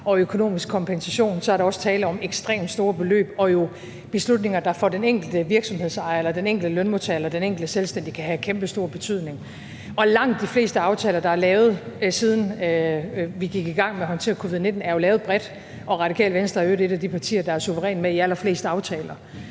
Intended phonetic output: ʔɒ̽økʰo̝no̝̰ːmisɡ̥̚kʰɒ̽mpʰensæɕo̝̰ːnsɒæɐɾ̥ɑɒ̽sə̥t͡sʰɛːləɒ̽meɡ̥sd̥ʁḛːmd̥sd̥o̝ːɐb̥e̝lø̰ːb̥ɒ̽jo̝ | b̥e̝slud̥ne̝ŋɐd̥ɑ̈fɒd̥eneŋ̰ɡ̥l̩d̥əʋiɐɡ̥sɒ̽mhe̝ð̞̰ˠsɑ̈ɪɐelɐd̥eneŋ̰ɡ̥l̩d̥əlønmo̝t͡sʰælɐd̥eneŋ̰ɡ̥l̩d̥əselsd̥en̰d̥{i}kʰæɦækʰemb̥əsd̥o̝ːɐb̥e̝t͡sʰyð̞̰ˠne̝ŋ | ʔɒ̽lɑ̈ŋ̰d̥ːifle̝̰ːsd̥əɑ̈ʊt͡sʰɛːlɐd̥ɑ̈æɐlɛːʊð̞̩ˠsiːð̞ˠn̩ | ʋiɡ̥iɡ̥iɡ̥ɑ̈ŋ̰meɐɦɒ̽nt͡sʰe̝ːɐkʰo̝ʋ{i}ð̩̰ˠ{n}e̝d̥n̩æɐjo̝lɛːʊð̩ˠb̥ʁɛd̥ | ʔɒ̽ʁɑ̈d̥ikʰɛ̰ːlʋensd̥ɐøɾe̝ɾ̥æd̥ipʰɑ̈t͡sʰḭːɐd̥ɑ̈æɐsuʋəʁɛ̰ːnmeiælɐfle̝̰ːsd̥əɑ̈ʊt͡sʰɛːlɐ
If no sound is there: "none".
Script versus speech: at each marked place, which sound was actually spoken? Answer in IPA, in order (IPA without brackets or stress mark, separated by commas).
i, i, n